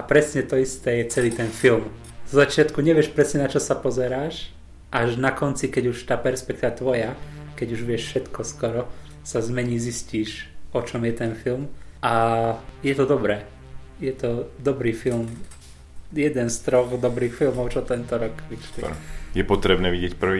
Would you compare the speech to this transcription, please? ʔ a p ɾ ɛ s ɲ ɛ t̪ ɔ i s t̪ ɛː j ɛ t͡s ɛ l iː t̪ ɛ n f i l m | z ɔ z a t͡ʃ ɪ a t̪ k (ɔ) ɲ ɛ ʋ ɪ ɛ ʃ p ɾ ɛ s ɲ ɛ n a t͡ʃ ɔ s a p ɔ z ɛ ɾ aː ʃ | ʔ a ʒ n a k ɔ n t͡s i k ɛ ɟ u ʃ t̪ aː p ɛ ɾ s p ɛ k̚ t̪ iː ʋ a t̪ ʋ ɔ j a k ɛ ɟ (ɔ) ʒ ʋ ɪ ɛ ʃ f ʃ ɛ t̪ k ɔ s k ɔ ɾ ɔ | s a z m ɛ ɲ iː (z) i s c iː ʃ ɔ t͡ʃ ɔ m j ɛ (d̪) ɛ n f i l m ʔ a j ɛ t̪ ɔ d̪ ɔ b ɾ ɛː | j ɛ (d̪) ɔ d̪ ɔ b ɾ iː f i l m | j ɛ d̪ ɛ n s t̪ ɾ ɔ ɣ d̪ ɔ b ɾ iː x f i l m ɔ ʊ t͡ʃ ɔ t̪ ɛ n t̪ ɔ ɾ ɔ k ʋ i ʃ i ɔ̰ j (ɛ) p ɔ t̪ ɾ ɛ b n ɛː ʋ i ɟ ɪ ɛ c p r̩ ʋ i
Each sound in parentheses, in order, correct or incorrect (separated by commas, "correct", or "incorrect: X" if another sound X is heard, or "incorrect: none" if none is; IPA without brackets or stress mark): incorrect: u, incorrect: u, correct, incorrect: t̪, incorrect: t̪, correct